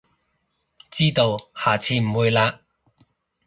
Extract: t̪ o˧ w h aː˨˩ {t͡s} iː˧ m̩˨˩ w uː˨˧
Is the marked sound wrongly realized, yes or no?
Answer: yes